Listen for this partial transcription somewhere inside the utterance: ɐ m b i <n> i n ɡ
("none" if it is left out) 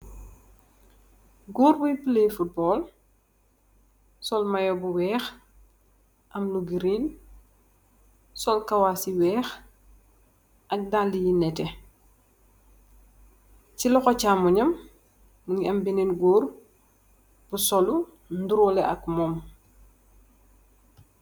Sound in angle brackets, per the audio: n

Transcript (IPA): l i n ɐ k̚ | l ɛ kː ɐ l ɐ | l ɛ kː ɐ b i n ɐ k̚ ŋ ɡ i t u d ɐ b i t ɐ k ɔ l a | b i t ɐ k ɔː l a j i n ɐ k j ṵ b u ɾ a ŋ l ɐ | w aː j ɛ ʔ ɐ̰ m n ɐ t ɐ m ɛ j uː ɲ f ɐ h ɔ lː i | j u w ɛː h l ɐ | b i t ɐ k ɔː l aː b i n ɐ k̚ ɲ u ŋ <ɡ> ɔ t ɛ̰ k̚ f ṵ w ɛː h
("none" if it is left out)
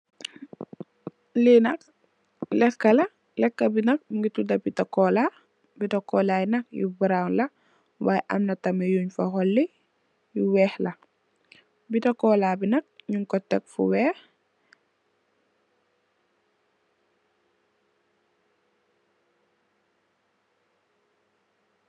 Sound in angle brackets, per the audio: k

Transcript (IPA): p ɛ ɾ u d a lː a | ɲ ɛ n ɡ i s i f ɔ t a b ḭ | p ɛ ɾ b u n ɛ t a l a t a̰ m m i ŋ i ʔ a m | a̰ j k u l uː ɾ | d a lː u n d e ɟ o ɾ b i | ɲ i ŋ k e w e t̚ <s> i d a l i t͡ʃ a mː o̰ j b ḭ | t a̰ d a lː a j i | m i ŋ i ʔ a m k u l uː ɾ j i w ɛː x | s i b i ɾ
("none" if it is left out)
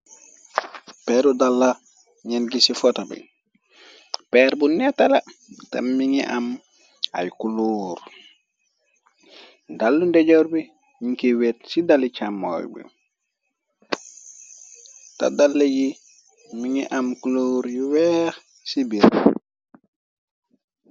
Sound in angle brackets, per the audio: s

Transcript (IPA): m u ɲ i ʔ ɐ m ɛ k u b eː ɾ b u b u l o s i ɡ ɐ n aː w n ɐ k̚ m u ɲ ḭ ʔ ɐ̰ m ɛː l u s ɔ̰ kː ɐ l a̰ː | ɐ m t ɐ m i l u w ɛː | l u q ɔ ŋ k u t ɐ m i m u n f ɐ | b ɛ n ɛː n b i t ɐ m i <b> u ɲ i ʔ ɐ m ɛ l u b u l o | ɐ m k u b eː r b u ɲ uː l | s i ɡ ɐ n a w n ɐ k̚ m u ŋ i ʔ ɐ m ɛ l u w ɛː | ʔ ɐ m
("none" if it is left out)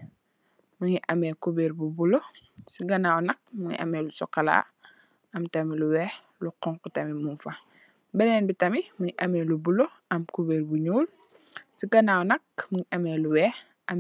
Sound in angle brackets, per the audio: m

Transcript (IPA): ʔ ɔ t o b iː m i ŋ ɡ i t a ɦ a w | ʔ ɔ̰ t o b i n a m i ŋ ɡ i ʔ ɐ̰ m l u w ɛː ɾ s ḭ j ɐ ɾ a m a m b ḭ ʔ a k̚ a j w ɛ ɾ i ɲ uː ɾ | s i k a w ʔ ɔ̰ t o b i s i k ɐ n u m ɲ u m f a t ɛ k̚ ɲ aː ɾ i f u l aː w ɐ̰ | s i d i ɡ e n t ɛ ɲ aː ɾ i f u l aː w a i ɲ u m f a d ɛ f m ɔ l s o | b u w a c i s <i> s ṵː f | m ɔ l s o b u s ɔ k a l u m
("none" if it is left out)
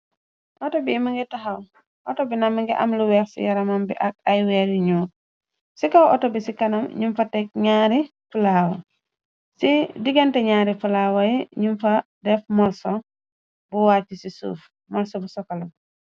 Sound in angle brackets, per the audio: i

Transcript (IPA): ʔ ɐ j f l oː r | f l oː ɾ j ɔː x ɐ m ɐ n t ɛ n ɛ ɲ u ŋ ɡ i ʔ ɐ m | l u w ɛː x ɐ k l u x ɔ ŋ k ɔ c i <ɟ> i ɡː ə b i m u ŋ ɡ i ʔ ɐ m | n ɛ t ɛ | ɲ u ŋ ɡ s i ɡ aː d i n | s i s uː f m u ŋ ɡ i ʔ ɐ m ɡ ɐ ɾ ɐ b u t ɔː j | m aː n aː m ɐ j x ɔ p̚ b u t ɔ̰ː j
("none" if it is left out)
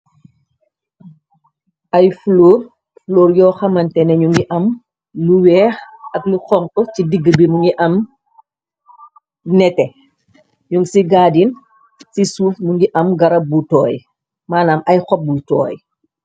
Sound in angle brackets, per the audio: d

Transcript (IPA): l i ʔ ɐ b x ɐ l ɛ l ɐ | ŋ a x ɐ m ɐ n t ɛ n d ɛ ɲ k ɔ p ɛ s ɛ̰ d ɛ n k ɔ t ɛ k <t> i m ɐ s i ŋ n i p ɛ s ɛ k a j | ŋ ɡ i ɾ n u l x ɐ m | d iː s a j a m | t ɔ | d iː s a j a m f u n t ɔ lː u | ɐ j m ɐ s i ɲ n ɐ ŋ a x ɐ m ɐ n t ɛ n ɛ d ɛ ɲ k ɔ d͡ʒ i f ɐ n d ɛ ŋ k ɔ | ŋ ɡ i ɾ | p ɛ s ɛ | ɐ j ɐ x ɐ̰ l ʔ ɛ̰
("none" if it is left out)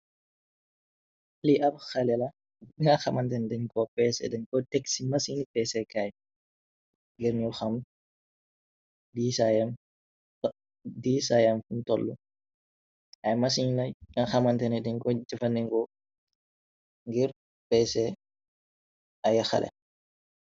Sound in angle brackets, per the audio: s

